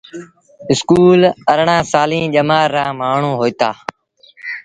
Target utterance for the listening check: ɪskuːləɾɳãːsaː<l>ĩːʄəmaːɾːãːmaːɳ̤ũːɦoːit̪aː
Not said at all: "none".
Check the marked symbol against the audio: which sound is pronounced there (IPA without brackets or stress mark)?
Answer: l